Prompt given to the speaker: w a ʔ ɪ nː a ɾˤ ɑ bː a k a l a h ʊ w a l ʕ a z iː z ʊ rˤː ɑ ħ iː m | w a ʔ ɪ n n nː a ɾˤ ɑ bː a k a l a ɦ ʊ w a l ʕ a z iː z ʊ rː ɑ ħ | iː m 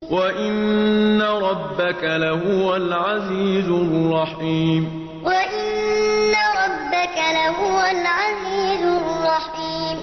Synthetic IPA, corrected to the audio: w a ʔ ɪ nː a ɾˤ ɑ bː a k a l a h ʊ w a l ʕ a z iː z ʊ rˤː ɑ ħ iː m | w a ʔ ɪ n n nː a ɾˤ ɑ bː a k a l a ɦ ʊ w a l ʕ a z iː z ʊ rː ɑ ħ | iː m